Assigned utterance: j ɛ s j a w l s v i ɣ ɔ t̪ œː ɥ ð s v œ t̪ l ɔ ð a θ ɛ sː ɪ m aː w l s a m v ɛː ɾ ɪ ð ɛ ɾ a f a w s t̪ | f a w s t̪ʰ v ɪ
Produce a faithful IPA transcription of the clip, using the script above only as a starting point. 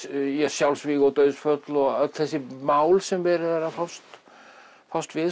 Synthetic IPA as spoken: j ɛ s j a w l s v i ɣ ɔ t̪ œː ɥ ð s f œ t̪ l ɔ ɣ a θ ɛ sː ɪ m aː w l s ɛ m v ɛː ɾ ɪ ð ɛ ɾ a f a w s t̪ | f a w s t̪ v ɪ